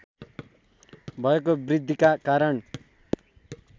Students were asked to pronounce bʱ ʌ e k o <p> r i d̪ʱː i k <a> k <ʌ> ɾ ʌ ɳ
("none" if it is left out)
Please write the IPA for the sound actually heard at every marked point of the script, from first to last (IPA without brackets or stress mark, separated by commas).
b, a, a